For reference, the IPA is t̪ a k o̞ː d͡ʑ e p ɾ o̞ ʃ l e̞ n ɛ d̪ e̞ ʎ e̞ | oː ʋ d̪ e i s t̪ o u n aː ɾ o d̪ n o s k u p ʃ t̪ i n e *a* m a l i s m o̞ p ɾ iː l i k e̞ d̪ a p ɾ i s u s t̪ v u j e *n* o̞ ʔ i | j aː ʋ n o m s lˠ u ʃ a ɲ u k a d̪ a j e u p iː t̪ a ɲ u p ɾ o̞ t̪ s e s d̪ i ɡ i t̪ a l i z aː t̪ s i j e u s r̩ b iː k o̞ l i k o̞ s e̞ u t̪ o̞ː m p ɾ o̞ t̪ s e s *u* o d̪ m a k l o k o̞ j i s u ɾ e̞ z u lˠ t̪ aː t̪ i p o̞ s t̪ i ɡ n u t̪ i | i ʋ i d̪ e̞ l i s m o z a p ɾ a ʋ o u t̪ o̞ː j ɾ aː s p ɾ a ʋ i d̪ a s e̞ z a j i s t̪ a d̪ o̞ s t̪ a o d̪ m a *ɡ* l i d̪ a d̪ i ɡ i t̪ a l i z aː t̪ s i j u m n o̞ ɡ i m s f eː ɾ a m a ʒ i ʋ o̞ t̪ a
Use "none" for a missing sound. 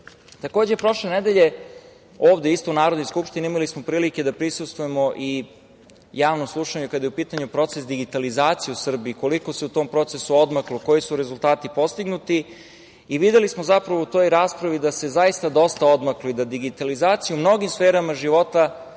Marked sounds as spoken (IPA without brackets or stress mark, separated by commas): i, m, u, k